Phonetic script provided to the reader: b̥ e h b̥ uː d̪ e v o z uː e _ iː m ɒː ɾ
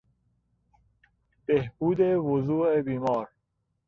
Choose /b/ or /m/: b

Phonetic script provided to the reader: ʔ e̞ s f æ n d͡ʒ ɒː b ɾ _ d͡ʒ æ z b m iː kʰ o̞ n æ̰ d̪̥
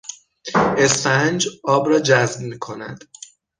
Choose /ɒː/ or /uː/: ɒː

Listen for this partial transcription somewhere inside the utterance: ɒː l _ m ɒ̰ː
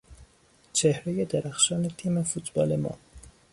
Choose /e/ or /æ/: e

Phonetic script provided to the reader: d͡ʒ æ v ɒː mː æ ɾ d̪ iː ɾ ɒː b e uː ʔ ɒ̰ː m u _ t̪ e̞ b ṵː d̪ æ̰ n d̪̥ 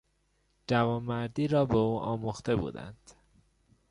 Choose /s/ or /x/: x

